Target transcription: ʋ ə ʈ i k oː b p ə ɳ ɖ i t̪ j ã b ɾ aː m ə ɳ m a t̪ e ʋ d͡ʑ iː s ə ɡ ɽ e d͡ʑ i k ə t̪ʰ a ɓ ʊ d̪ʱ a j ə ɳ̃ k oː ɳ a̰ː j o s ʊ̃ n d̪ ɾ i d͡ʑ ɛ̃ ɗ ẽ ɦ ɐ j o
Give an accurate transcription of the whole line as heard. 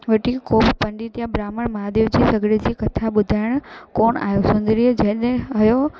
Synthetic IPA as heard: ʋ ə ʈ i k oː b p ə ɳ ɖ i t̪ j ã b ɾ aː m ə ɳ m a d̪ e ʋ d͡ʑ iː s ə ɡ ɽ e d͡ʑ i k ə t̪ʰ a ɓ ʊ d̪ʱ a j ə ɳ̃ k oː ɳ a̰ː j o s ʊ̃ n d̪ ɾ i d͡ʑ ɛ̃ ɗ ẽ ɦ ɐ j o